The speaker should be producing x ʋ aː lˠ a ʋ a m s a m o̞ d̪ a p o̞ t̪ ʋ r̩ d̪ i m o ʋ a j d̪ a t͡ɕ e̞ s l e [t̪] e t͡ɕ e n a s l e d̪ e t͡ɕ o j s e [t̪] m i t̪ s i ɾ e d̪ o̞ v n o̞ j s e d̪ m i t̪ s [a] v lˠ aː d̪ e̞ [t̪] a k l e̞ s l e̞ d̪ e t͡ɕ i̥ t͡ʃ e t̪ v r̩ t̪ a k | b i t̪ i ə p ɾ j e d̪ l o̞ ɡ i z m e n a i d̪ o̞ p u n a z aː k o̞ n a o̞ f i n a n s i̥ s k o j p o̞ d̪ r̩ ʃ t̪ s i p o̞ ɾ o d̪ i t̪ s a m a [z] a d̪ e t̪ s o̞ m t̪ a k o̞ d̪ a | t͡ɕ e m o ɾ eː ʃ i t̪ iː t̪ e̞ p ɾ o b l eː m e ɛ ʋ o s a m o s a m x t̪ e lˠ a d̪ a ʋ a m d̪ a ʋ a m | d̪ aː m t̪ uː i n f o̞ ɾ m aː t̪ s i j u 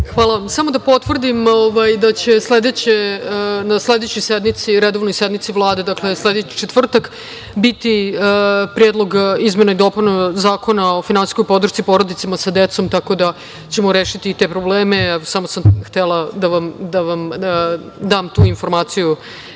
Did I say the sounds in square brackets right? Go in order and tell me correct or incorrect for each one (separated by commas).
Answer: incorrect, incorrect, incorrect, incorrect, incorrect